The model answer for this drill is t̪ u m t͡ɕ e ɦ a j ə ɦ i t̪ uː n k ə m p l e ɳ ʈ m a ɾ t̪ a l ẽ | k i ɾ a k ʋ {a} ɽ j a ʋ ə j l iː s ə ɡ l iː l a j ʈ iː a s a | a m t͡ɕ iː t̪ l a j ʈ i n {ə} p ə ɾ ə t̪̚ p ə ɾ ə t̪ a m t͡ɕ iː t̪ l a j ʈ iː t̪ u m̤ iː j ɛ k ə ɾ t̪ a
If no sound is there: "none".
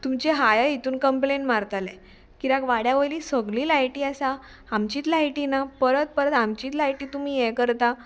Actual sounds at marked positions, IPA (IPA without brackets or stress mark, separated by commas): a, a